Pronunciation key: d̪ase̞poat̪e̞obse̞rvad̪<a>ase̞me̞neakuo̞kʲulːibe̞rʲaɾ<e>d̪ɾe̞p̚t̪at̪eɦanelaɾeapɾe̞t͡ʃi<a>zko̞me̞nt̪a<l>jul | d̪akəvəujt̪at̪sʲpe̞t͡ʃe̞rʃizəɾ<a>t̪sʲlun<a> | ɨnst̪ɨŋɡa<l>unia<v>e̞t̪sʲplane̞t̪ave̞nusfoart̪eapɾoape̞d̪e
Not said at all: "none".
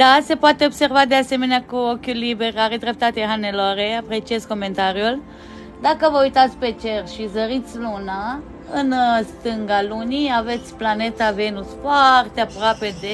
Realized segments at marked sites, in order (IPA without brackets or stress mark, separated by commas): e, e, e, ɾ, i, a, l, v